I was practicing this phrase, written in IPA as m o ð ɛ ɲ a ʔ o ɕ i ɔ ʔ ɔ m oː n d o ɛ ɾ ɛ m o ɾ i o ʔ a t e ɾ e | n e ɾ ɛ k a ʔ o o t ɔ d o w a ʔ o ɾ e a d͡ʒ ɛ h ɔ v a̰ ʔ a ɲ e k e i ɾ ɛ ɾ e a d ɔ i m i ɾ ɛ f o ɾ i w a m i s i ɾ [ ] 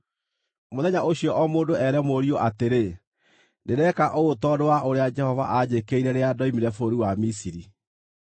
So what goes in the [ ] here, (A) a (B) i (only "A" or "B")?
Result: B